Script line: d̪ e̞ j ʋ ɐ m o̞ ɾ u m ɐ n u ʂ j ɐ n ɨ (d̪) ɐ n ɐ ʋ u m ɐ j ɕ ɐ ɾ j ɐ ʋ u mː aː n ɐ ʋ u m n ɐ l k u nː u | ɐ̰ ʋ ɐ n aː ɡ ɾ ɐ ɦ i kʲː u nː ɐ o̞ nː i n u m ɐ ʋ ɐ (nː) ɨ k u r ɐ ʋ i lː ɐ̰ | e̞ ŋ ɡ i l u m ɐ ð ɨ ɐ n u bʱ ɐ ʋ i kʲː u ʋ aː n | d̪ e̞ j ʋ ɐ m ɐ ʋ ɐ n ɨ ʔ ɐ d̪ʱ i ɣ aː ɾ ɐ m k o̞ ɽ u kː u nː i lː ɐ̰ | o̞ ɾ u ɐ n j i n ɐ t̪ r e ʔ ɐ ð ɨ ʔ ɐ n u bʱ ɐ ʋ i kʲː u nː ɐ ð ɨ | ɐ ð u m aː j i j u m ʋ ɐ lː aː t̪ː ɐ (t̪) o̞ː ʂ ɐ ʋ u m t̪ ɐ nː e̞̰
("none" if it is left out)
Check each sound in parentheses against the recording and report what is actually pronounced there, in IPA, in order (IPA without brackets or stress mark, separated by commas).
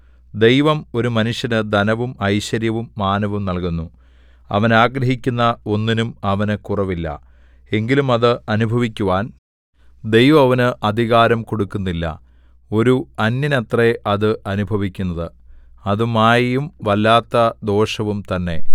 d̪, n, d̪